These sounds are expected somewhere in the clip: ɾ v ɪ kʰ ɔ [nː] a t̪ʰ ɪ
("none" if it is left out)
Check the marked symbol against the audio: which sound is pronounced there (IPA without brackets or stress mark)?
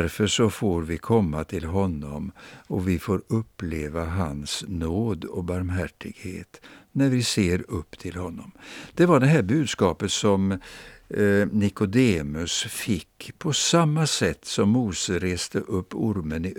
mː